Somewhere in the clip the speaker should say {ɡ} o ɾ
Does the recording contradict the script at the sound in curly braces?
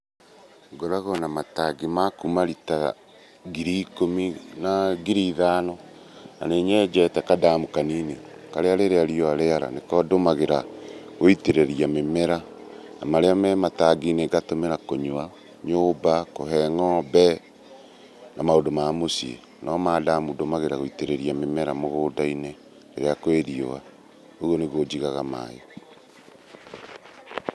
no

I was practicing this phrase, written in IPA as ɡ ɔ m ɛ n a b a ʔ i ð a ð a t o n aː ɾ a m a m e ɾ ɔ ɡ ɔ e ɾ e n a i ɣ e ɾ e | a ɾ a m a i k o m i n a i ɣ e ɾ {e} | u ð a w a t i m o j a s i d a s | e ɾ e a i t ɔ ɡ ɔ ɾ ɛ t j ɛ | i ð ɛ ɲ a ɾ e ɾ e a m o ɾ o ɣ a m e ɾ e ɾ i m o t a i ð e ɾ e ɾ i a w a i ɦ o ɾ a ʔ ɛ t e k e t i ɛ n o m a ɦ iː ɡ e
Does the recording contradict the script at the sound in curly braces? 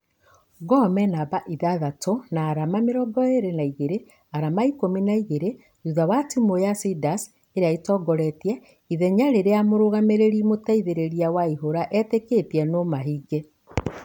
no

